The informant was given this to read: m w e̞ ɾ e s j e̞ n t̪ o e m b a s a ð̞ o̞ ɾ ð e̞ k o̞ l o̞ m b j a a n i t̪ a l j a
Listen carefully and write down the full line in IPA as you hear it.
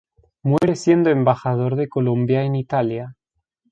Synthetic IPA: m w e̞ ɾ e s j e̞ n d̪ o e m b a x a ð̞ o̞ ɾ ð e̞ k o̞ l o̞ m b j a e n i t̪ a l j a

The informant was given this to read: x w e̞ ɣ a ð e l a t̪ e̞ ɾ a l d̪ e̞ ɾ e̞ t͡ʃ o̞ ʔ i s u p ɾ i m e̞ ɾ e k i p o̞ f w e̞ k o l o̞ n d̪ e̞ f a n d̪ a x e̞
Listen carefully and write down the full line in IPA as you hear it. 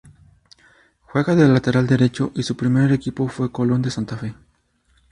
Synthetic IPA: x w e̞ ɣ a ð e l a t̪ e̞ ɾ a l d̪ e̞ ɾ e̞ t͡ʃ o̞ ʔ i s u p ɾ i m e̞ ɾ e k i p o̞ f w e̞ k o l o̞ n d̪ e̞ s a n t̪ a f e̞

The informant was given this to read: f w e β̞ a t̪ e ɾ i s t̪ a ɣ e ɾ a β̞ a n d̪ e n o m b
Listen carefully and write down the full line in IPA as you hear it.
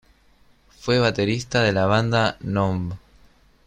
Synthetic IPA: f w e β̞ a t̪ e ɾ i s t̪ a ð e l a β̞ a n d̪ a n o m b

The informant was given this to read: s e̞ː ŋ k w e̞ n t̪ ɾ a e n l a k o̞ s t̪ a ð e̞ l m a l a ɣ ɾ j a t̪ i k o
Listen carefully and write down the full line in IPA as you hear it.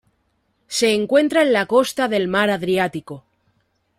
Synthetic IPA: s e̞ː ŋ k w e̞ n t̪ ɾ a e n l a k o̞ s t̪ a ð e̞ l m a ɾ a ð ɾ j a t̪ i k o

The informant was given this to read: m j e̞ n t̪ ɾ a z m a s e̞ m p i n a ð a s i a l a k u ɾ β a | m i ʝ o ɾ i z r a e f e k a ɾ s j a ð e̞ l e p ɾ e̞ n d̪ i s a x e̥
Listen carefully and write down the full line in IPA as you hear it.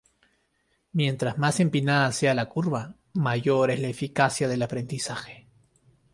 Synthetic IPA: m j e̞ n t̪ ɾ a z m a s e̞ m p i n a ð a s e a l a k u ɾ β a | m a ʝ o ɾ e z l a e f i k a s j a ð e̞ l a p ɾ e̞ n d̪ i s a x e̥

